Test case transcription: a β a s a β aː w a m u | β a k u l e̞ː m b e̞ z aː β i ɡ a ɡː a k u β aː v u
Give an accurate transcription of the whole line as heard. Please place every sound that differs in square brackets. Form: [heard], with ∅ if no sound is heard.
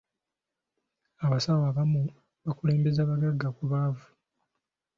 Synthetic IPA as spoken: a β a s a [w] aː [β] a m u | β a k u l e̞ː m b e̞ z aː β [a] ɡ a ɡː a k u β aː v u